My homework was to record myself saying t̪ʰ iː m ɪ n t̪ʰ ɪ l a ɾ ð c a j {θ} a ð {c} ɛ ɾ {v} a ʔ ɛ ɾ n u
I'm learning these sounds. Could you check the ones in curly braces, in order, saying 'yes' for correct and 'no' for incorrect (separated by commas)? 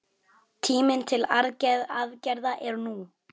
no, yes, no